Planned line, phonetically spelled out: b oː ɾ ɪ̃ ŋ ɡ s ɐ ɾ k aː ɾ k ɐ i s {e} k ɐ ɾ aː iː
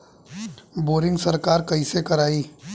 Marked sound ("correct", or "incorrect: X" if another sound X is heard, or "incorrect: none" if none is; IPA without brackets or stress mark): correct